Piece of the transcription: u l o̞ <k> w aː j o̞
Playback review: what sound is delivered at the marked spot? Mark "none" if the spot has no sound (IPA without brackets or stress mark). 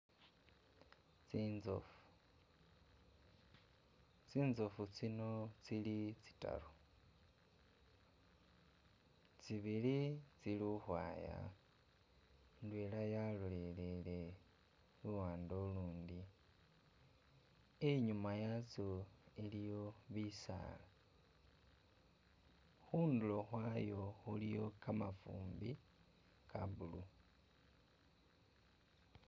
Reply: x